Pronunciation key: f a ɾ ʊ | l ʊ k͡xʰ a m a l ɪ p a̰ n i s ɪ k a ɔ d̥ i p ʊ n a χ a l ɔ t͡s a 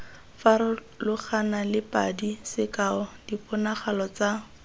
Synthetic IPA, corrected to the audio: f a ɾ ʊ | l ʊ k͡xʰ a n a l ɪ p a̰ d i s ɪ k a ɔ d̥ i p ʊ n a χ a l ɔ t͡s a